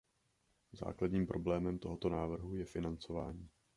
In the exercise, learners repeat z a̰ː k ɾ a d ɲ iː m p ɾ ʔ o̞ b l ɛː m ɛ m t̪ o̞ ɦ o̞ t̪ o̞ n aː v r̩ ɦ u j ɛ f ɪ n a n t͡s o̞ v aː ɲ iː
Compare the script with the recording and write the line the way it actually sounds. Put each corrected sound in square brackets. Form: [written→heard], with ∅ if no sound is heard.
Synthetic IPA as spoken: z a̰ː k [ɾ→l] a d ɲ iː m p ɾ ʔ o̞ b l ɛː m ɛ m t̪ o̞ ɦ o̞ t̪ o̞ n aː v r̩ ɦ u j ɛ f ɪ n a n t͡s o̞ v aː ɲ iː